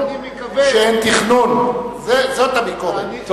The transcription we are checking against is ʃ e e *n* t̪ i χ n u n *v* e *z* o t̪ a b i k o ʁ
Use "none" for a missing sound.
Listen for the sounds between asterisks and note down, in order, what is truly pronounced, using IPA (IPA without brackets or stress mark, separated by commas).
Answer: n, z, z